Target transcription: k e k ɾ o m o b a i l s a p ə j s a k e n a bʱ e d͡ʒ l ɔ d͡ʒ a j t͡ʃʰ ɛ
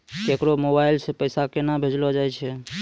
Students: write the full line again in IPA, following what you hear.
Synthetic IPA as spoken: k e k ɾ o m o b a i l s e p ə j s a k e n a bʱ e d͡ʒ l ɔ d͡ʒ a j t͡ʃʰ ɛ

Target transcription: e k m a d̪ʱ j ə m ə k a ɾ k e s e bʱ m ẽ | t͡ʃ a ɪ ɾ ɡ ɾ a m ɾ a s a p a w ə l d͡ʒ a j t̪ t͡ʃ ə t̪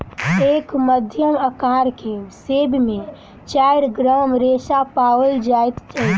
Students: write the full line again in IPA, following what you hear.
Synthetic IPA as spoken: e k m ə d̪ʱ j ə m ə k a ɾ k e s e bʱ m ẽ | t͡ʃ a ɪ ɾ ɡ ɾ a m ɾ e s a p a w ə l d͡ʒ a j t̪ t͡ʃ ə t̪

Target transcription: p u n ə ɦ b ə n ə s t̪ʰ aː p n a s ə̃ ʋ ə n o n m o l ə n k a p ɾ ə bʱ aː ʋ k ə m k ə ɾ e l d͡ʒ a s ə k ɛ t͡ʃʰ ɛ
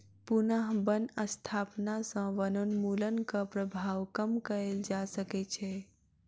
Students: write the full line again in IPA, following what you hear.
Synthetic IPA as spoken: p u n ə ɦ b ə n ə s t̪ʰ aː p n a s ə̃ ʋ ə n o n m u l ə n k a p ɾ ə bʱ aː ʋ k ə m k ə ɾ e l d͡ʒ a s ə k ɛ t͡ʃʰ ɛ

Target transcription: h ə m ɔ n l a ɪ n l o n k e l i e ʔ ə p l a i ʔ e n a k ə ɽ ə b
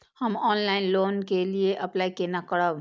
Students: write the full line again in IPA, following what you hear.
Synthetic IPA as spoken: h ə m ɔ n l a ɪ n l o n k e l i e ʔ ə p l a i k e n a k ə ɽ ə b

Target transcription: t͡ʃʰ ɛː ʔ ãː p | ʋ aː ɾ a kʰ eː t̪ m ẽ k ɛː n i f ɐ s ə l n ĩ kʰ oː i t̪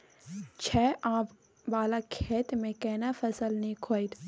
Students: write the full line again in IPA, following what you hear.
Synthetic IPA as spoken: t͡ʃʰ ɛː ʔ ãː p | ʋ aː l a kʰ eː t̪ m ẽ k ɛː n a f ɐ s ə l n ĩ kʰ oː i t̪

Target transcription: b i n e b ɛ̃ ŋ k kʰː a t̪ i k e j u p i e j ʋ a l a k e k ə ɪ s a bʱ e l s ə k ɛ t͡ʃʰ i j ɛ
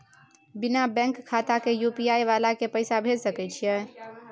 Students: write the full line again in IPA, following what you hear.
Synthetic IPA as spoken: b i n a b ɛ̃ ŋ k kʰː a t̪ a k e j u p i a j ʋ a l a k e p ə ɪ s a bʱ e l s ə k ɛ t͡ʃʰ i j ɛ

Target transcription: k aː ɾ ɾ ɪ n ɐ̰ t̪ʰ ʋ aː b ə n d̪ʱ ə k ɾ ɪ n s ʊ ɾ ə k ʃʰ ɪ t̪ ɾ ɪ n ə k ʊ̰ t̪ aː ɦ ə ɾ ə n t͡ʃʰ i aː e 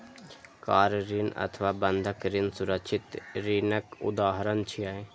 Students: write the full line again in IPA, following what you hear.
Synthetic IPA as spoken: k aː ɾ ɾ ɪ n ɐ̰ t̪ʰ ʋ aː b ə n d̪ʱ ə k ɾ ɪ n s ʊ ɾ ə k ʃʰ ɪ t̪ ɾ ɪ n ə k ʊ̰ d̪ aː ɦ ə ɾ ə n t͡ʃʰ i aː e

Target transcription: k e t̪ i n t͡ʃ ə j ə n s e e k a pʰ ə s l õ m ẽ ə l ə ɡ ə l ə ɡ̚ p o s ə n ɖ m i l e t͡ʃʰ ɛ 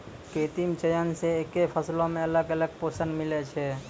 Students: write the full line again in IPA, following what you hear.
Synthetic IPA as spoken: k e t̪ i m t͡ʃ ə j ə n s e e k e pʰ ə s l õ m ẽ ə l ə ɡ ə l ə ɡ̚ p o s ə n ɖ m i l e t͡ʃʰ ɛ

